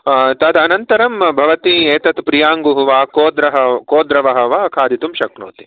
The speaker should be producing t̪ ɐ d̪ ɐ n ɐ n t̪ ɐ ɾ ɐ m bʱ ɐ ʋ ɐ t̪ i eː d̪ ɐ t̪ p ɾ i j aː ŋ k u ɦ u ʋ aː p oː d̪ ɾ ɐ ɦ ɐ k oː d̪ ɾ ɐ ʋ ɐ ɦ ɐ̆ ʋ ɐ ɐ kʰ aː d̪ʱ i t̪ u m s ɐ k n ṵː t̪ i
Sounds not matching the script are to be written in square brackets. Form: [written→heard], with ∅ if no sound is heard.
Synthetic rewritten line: t̪ ɐ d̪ ɐ n ɐ n t̪ ɐ ɾ ɐ m bʱ ɐ ʋ ɐ t̪ i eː [d̪→t̪] ɐ t̪ p ɾ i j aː ŋ [k→ɡ] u ɦ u ʋ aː [p→k] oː d̪ ɾ ɐ ɦ ɐ k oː d̪ ɾ ɐ ʋ ɐ ɦ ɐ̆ ʋ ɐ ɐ kʰ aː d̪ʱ i t̪ u m [s→ʃ] ɐ k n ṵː t̪ i